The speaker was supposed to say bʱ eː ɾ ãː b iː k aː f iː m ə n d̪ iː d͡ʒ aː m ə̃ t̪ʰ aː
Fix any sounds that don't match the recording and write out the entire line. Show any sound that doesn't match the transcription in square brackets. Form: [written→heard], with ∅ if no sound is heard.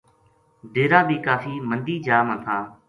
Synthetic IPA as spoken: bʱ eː ɾ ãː b iː k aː f iː m ə n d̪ iː d͡ʒ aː m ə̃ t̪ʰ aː